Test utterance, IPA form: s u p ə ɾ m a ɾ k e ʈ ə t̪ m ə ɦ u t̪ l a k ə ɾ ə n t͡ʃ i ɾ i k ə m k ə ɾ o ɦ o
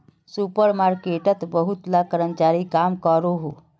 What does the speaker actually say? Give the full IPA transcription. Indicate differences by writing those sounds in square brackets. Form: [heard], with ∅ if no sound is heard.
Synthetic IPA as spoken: s u p ə ɾ m a ɾ k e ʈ ə t̪ [b] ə ɦ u t̪ l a k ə ɾ ə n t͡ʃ [a] ɾ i k [a] m k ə ɾ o ɦ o